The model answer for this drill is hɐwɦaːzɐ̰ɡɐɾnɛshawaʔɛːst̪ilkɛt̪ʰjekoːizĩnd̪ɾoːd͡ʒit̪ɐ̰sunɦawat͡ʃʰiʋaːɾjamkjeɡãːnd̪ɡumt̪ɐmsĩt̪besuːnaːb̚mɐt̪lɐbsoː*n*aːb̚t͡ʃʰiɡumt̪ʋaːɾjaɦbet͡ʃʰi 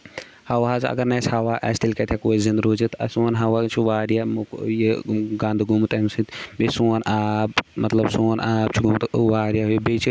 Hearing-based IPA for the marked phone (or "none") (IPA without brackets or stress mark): n